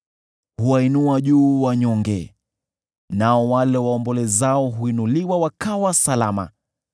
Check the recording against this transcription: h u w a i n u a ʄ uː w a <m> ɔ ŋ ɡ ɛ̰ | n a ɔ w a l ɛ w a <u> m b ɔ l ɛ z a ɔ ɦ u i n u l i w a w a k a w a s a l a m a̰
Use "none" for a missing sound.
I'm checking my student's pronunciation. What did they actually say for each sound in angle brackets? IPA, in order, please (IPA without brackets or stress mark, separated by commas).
ɲ, ɔ